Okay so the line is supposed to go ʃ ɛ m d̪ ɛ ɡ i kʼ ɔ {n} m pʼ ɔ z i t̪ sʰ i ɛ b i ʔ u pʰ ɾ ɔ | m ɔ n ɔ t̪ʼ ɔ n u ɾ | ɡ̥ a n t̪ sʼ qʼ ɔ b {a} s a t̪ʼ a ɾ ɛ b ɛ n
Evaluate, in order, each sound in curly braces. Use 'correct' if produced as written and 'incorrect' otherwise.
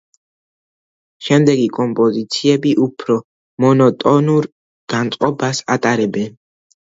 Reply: incorrect, correct

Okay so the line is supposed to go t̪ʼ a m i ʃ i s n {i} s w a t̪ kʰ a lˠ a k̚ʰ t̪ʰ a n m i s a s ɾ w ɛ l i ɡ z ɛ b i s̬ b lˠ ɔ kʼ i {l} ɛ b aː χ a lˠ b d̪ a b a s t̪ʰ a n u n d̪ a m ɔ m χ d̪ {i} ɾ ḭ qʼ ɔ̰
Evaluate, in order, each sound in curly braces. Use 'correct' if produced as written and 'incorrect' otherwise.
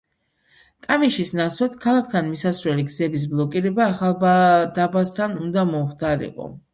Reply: incorrect, incorrect, incorrect

